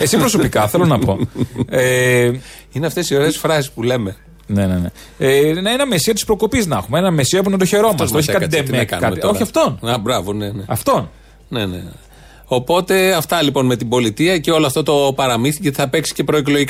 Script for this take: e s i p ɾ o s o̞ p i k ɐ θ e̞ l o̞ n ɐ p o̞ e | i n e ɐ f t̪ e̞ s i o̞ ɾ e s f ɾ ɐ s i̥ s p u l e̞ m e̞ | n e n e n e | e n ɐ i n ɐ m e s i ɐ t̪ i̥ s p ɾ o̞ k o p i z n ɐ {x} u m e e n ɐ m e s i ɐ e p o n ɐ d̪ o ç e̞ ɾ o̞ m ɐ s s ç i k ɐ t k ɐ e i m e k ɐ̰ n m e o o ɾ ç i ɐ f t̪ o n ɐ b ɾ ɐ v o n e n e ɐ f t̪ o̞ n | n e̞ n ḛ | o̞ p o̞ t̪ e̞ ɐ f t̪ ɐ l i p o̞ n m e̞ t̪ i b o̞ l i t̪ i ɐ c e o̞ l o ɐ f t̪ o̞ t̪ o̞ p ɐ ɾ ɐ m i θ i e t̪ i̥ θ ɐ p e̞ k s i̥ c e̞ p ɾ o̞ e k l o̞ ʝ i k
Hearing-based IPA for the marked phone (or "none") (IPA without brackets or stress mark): x